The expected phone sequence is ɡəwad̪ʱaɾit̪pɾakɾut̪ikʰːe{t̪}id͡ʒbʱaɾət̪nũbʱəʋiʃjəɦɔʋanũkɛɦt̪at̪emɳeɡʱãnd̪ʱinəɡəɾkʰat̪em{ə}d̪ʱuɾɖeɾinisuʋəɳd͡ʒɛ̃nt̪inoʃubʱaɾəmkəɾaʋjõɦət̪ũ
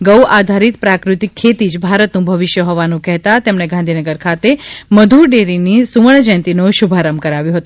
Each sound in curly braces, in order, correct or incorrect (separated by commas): correct, correct